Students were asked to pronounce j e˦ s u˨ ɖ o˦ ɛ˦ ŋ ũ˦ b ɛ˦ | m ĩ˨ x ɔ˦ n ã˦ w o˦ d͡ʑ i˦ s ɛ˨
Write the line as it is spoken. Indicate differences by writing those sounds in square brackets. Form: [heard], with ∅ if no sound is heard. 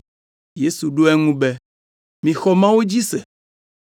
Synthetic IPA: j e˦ s u˨ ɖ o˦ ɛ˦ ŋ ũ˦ b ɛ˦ | m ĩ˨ x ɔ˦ [m] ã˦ w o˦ d͡ʑ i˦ s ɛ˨